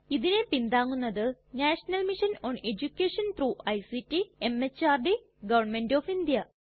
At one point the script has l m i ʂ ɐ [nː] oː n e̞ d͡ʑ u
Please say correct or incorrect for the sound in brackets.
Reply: incorrect